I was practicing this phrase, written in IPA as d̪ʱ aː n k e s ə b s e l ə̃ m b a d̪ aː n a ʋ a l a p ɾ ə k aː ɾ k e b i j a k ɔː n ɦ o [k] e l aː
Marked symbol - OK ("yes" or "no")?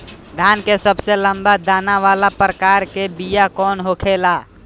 no